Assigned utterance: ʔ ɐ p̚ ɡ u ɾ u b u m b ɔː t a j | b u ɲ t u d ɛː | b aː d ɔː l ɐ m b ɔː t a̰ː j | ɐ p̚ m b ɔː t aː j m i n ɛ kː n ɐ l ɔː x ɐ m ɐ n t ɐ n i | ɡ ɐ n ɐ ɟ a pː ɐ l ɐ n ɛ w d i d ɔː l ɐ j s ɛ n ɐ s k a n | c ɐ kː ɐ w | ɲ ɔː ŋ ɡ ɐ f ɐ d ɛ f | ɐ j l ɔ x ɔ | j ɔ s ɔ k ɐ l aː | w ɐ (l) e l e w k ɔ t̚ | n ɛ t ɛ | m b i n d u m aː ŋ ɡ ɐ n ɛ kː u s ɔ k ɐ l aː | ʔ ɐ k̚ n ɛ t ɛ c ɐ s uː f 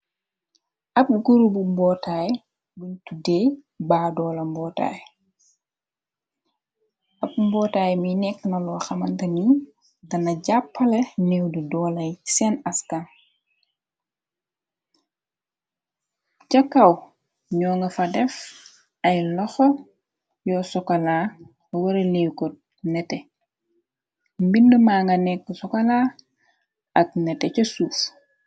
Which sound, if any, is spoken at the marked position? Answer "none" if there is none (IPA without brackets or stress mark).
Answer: ɾ